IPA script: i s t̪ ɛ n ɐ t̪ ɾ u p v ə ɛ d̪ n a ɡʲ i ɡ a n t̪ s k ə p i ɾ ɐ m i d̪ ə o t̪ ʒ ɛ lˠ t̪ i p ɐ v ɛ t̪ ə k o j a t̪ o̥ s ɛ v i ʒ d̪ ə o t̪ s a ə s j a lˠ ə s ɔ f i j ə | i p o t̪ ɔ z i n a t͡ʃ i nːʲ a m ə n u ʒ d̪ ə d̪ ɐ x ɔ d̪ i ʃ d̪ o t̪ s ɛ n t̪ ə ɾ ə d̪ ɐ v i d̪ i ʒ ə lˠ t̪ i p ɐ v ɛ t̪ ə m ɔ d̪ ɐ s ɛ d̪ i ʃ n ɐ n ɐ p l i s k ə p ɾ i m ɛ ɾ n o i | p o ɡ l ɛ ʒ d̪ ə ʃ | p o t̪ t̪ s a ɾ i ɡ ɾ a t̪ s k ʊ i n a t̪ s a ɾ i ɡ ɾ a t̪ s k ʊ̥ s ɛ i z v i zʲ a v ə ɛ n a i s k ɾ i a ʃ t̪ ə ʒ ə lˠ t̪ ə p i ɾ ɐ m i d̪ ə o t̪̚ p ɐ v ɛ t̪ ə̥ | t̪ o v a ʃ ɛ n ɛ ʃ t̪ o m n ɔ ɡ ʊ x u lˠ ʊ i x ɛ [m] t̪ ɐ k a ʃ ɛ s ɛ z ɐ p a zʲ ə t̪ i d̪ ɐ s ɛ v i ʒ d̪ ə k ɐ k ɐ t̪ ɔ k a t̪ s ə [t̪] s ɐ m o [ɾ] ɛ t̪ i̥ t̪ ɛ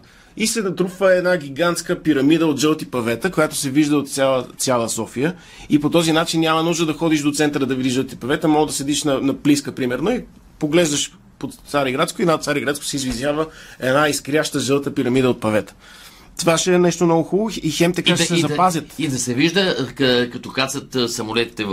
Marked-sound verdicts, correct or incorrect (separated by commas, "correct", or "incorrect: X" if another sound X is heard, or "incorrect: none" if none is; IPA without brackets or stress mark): correct, correct, incorrect: l